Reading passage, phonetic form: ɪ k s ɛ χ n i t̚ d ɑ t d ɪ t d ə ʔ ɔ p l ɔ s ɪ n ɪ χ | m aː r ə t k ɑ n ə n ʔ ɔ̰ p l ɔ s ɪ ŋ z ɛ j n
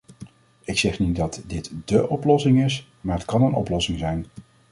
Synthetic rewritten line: ɪ k s ɛ χ n i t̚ d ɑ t d ɪ t d ə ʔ ɔ p l ɔ s ɪ ŋ ɪ s | m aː ɹ ə t k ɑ n ə n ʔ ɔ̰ p l ɔ s ɪ ŋ z ɛ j n